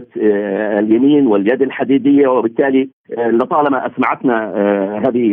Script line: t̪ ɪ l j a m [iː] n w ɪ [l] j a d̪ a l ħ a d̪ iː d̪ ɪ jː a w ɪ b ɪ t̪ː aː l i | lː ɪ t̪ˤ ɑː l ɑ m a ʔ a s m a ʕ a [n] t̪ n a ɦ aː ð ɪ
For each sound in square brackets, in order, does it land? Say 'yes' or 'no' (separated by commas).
yes, yes, no